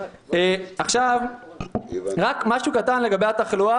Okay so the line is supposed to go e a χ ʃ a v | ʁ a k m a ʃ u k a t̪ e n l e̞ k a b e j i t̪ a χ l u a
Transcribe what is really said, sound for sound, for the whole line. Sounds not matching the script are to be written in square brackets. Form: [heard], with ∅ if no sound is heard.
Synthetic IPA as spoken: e a χ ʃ a v | ʁ a k m a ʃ u k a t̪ [a] n l e̞ [ɡ] a b e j [a] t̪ a χ l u a